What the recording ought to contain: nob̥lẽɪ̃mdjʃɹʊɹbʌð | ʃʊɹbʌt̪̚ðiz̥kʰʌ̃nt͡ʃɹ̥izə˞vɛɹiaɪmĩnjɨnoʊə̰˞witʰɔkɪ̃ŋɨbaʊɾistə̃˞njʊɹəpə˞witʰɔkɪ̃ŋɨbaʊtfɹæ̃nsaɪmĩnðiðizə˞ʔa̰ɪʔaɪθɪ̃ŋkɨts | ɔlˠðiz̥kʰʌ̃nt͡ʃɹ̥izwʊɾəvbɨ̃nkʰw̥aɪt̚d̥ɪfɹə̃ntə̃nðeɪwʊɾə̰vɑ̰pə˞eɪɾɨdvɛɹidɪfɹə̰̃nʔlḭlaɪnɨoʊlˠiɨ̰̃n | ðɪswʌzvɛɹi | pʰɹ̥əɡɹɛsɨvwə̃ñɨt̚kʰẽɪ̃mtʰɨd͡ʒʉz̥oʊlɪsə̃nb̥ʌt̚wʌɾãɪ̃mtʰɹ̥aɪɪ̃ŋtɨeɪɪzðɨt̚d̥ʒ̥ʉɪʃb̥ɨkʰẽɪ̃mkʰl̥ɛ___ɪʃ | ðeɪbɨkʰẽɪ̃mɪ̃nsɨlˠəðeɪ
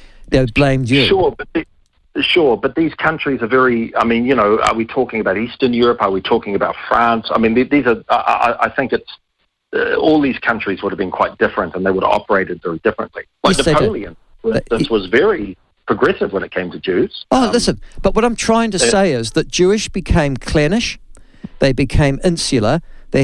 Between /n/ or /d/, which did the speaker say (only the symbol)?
n